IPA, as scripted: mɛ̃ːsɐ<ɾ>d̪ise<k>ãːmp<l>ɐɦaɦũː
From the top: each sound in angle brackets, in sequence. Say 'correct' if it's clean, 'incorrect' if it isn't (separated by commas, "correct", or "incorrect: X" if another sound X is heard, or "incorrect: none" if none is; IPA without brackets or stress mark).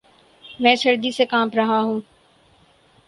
correct, correct, incorrect: ɾ